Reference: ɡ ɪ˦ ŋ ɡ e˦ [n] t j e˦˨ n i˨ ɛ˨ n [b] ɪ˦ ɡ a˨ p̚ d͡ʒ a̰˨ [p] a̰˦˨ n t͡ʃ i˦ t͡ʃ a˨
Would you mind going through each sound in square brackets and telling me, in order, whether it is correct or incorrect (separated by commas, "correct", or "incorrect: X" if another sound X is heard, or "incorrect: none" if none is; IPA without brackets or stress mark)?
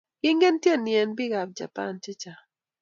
correct, correct, correct